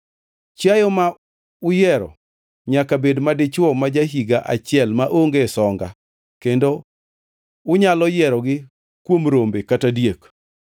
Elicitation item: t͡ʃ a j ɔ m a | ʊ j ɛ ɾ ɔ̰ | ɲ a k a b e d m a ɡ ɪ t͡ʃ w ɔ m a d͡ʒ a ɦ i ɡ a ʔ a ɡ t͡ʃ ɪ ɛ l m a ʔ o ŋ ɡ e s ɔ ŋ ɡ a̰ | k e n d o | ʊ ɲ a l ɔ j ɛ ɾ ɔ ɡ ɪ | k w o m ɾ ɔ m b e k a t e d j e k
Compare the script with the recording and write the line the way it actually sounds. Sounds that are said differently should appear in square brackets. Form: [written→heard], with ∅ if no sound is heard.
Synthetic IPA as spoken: t͡ʃ a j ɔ m a | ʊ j ɛ ɾ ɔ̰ | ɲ a k a b e d m a [ɡ→d] ɪ t͡ʃ w ɔ m a d͡ʒ a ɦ i ɡ a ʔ a [ɡ→∅] t͡ʃ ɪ ɛ l m a ʔ o ŋ ɡ e s ɔ ŋ ɡ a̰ | k e n d o | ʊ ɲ a l ɔ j ɛ ɾ ɔ ɡ ɪ | k w o m ɾ [ɔ→o] m b e k a t [e→a] d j e k